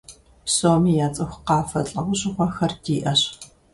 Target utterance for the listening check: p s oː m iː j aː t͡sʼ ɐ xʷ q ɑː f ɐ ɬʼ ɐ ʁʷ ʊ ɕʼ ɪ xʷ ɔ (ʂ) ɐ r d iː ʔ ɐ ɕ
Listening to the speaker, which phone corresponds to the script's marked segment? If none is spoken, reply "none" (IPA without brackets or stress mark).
x